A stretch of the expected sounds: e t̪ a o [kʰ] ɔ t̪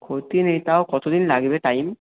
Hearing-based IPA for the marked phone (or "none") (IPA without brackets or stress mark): k